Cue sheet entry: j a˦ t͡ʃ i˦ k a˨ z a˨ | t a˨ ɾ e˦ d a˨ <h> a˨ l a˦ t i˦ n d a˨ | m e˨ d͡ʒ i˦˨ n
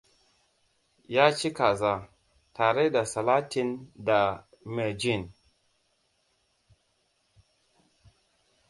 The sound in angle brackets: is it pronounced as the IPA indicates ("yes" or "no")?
no